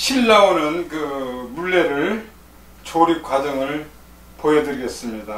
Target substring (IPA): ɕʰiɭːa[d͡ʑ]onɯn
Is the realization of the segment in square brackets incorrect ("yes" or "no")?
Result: yes